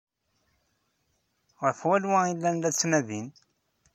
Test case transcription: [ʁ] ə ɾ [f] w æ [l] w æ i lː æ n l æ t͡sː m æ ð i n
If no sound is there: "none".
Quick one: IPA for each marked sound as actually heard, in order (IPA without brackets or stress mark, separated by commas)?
ʁ, f, l